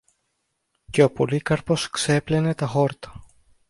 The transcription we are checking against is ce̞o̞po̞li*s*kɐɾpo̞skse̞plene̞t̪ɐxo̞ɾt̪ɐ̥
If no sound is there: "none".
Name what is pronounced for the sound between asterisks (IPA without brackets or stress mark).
none